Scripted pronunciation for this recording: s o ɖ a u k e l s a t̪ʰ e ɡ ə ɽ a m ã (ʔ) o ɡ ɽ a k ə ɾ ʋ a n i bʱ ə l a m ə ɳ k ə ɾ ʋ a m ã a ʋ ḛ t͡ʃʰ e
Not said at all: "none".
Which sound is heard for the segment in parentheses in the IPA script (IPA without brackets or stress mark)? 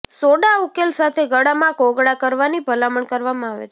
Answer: k